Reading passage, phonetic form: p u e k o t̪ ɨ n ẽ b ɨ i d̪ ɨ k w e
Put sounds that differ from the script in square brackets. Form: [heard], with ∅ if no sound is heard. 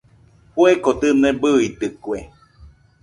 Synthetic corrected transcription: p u e k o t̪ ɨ n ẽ b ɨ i [t̪] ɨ k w e